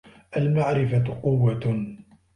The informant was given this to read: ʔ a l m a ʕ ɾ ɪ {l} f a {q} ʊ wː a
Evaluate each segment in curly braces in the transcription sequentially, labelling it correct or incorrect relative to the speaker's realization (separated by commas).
incorrect, correct